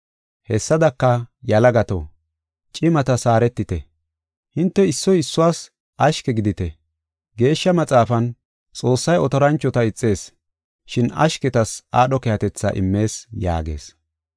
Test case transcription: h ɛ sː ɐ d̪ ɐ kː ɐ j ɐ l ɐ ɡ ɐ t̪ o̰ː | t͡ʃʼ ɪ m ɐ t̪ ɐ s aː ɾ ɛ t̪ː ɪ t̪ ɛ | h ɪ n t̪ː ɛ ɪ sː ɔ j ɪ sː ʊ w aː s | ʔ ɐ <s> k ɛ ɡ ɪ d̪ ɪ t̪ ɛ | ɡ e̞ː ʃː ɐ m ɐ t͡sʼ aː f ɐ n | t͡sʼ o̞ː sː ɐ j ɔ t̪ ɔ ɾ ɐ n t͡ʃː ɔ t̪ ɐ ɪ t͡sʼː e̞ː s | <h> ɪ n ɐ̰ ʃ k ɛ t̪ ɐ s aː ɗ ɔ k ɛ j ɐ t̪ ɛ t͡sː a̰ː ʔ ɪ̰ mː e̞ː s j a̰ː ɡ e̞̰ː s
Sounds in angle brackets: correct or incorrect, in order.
incorrect, incorrect

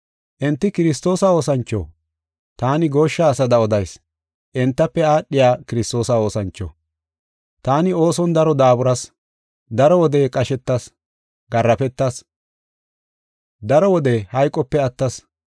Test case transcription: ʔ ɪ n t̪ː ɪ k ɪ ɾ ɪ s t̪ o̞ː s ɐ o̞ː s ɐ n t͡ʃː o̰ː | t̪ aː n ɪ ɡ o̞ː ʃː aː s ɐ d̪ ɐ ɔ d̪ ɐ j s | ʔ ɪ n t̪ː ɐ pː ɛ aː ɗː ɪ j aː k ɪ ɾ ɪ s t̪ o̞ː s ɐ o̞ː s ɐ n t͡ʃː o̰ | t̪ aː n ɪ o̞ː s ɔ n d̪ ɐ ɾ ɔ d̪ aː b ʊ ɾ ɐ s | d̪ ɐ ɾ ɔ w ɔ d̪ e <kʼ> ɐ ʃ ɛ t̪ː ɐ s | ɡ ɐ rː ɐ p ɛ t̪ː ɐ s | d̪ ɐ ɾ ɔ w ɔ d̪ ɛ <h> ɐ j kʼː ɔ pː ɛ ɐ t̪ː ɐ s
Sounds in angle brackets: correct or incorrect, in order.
correct, correct

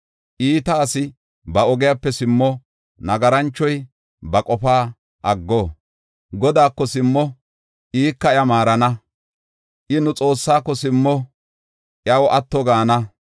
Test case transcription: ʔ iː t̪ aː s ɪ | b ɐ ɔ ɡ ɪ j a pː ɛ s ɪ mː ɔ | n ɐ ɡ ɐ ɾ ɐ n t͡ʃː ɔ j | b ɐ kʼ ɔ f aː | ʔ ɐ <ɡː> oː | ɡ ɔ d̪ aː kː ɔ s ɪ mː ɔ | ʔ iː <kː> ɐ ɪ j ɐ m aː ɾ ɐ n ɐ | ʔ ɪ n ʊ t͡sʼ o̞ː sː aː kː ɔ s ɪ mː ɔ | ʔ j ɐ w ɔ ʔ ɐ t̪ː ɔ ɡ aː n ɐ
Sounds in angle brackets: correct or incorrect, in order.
correct, correct

